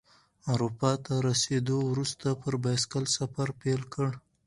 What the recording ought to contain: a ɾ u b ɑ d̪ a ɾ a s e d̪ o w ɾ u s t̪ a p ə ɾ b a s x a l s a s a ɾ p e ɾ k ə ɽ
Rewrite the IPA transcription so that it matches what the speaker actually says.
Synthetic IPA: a ɾ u p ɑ t̪ a ɾ a s e d̪ o w ɾ u s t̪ a p ə ɾ b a s k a l s a f a ɾ p e l k ə ɽ